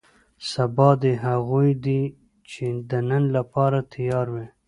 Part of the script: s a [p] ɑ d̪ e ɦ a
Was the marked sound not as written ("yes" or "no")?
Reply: yes